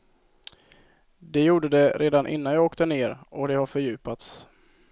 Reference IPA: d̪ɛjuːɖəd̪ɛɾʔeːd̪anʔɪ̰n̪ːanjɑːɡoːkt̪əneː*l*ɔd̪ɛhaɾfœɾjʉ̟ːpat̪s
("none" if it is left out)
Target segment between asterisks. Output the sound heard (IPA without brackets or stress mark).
ɾ